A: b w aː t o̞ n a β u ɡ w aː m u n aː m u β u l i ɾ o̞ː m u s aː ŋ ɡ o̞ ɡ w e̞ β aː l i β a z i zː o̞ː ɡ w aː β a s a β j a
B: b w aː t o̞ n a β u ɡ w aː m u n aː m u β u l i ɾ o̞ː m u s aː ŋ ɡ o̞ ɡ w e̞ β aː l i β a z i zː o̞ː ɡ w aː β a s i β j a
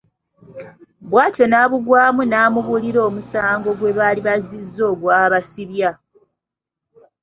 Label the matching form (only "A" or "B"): B